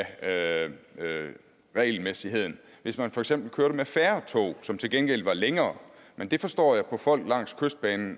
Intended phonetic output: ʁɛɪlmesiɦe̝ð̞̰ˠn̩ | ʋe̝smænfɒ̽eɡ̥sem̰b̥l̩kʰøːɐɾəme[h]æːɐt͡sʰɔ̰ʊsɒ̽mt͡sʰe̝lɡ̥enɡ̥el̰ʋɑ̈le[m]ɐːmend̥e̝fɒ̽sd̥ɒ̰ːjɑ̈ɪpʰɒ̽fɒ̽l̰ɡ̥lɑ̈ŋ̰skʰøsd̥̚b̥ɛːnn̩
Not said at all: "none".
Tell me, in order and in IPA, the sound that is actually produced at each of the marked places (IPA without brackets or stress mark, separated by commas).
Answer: f, ŋ